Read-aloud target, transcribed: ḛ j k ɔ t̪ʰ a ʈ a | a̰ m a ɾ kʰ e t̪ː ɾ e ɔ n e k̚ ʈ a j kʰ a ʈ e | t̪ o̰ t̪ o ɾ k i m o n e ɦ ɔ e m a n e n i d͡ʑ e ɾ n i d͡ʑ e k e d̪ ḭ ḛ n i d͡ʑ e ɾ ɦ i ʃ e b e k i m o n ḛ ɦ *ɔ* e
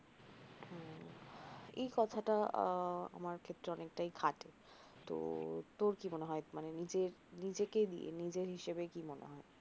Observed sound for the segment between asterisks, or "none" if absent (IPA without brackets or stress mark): ɔ